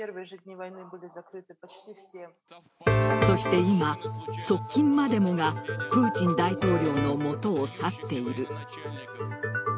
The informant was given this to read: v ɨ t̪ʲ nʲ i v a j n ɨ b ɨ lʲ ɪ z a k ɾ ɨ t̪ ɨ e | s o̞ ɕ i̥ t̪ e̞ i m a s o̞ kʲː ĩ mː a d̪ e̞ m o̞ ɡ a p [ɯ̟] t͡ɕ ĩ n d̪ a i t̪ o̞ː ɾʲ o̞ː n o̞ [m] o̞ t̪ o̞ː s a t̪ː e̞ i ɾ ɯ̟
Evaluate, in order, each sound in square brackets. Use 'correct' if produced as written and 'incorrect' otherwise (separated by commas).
incorrect, correct